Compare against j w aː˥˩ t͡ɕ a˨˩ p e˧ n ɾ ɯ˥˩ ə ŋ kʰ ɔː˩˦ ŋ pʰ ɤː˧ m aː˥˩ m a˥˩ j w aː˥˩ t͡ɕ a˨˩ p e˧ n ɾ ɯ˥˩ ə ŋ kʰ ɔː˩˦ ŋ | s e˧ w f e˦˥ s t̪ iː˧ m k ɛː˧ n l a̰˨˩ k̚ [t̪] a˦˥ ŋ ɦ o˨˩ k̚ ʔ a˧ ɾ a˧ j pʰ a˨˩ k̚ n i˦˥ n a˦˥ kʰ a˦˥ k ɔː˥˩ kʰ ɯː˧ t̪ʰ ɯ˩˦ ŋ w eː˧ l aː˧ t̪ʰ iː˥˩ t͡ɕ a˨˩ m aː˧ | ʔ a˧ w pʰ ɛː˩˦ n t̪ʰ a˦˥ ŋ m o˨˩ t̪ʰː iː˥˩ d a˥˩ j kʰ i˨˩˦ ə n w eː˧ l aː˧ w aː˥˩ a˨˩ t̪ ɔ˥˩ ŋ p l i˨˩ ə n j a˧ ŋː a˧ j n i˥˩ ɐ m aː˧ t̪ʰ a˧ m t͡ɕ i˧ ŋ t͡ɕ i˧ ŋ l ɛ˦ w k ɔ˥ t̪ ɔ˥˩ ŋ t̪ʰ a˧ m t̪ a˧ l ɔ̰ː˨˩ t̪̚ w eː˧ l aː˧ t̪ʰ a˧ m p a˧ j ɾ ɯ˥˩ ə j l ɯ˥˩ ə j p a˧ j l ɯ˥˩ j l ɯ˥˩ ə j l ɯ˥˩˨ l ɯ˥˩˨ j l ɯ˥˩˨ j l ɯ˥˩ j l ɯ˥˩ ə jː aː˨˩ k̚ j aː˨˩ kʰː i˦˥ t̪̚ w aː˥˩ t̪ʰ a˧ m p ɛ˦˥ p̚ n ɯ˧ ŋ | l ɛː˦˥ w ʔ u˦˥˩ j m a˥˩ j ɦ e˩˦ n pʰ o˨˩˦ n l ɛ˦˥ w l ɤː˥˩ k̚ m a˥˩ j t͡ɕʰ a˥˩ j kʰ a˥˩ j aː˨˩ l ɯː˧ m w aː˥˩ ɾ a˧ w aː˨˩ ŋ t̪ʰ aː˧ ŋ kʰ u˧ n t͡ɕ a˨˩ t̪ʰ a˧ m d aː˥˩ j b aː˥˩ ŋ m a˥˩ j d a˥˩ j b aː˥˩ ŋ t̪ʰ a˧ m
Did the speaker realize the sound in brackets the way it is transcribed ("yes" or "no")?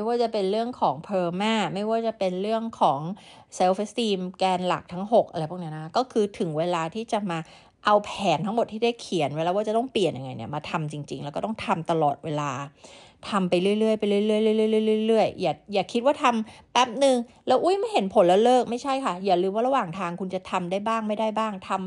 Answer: no